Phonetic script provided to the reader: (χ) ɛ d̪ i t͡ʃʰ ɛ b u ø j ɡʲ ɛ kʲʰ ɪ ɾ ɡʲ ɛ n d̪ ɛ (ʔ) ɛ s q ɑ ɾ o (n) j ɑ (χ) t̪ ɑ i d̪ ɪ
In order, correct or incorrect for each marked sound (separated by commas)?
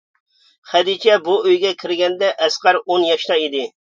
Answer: correct, correct, correct, incorrect